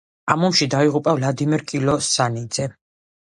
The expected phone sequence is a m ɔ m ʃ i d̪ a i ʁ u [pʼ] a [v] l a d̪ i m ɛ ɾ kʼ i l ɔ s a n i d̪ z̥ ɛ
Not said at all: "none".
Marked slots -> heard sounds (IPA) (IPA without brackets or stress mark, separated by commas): pʼ, v